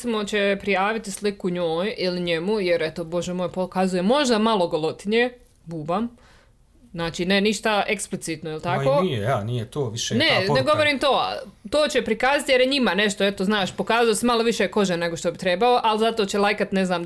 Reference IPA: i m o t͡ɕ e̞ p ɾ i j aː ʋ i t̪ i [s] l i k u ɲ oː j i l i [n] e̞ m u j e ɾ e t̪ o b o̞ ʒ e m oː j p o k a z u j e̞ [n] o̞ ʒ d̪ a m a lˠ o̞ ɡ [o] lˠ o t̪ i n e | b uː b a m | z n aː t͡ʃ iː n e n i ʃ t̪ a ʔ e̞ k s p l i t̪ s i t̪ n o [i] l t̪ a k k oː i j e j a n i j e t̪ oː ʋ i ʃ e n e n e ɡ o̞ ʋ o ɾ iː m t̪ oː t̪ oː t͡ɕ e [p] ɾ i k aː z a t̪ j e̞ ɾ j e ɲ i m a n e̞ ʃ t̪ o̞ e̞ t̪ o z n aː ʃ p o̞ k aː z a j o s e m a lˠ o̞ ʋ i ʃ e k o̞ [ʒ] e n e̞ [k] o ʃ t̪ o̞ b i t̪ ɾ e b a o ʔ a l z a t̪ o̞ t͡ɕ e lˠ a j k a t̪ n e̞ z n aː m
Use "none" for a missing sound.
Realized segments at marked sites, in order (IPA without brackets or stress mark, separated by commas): s, ɲ, m, o, i, p, ʒ, ɡ